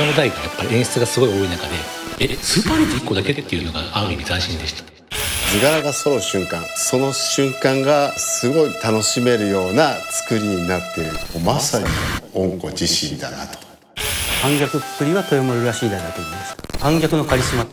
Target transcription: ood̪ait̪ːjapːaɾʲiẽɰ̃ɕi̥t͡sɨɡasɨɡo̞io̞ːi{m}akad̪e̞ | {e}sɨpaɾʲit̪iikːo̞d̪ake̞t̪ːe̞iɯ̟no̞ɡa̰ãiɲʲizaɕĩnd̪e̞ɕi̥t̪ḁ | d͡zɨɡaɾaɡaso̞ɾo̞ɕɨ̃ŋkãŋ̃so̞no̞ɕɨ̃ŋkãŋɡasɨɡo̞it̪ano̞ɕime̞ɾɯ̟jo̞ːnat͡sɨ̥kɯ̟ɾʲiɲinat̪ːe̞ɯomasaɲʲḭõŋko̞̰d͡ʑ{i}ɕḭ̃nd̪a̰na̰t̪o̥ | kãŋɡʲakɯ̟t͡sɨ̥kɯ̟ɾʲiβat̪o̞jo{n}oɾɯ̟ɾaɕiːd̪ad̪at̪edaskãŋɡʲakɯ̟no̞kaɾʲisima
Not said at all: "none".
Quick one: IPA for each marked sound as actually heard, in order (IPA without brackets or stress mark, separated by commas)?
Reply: n, e, i, m